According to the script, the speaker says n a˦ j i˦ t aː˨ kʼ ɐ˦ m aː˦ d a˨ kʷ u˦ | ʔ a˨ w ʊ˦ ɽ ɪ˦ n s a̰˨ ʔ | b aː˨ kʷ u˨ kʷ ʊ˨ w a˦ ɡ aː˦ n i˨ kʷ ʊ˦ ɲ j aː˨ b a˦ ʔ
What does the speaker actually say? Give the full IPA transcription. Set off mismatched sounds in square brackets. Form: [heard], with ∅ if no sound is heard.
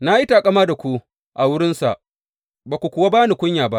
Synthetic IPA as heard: n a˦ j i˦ t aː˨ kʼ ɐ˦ m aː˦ d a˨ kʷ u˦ | ʔ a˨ w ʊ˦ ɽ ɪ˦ n s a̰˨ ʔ | b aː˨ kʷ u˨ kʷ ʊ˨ w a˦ [b] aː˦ n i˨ kʷ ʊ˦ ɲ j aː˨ b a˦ ʔ

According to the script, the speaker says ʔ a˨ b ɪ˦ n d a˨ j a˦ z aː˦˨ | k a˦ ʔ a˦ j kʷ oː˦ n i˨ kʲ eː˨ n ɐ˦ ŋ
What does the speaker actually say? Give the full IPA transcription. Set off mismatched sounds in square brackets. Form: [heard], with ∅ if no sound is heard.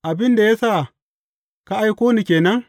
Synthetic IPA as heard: ʔ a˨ b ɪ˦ n d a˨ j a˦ [s] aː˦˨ | k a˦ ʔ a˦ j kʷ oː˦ n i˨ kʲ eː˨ n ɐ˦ ŋ

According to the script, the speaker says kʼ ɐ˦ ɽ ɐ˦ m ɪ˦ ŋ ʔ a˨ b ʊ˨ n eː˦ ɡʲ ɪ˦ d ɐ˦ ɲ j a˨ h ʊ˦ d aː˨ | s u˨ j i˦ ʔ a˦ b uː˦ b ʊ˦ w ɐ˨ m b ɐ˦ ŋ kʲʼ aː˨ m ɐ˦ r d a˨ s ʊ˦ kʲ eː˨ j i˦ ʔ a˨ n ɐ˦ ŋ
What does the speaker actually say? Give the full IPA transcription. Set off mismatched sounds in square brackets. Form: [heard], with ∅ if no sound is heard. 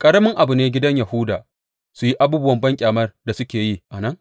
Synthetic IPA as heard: kʼ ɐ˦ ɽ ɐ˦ m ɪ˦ ŋ ʔ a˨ b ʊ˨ n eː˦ ɡʲ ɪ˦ d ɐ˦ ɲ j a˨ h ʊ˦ d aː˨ | s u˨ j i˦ ʔ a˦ b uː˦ b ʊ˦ w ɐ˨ m b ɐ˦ ŋ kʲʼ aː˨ m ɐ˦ r d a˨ s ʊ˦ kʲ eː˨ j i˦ ʔ a˨ n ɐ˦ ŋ

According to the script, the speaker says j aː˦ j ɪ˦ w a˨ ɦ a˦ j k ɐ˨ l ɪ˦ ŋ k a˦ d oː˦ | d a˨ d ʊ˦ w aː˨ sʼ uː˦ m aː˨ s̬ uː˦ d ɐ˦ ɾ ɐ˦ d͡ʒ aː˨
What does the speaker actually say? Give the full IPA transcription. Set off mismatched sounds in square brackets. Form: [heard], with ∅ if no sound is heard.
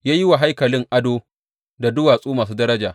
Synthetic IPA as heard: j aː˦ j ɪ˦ w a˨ ɦ a˦ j k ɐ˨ l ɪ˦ ŋ [ʔ] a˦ d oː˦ | d a˨ d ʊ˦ w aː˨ sʼ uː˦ m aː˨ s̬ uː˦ d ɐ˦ ɾ ɐ˦ d͡ʒ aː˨

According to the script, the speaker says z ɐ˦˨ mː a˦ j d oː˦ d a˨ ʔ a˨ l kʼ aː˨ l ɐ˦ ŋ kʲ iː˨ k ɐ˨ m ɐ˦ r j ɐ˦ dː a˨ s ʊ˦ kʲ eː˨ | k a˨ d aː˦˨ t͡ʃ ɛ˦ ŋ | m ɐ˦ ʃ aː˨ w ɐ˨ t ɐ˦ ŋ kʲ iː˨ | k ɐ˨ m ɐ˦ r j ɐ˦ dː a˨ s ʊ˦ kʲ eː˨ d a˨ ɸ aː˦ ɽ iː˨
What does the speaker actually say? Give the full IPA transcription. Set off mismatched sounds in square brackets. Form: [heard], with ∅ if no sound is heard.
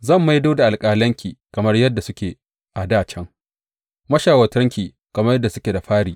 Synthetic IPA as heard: z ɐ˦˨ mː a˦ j d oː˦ d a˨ ʔ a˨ l kʼ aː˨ l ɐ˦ ŋ kʲ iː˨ k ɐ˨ m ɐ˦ r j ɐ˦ dː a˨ s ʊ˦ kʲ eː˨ | [ʔ] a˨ d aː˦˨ t͡ʃ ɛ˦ ŋ | m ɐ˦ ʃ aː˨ w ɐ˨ t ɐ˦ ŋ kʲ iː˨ | k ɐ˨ m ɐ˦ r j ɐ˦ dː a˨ s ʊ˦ kʲ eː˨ d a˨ ɸ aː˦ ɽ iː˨

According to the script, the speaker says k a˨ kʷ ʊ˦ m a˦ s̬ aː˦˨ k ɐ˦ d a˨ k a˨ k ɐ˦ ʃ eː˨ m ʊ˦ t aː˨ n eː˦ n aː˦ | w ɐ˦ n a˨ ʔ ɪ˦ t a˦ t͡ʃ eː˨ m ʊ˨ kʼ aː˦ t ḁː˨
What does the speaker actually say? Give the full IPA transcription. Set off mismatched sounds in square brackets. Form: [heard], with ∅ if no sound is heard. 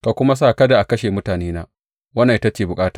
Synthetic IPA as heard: k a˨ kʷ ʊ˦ m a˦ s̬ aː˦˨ k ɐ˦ d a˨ [ʔ] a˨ k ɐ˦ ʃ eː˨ m ʊ˦ t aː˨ n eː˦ n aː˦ | w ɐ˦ n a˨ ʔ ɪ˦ t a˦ t͡ʃ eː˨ [b] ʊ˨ kʼ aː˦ t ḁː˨

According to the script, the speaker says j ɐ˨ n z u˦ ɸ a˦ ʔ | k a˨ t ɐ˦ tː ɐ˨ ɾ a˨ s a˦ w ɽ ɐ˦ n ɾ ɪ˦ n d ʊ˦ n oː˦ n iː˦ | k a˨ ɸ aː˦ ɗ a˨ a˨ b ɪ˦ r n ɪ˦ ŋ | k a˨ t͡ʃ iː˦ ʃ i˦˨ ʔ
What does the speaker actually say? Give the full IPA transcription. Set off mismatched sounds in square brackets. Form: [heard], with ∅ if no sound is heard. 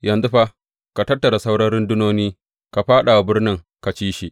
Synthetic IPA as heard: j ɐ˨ n z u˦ ɸ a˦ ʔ | k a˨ t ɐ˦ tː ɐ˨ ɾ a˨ s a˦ w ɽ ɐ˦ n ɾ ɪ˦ n d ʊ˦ n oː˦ n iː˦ | k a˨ ɸ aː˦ ɗ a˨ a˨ b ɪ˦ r n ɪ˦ ŋ | k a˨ t͡ʃ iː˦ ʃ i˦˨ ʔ

